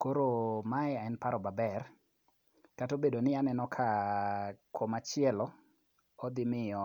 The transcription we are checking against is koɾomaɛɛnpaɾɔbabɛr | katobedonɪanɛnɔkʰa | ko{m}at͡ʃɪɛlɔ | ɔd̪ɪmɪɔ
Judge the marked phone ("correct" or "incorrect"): correct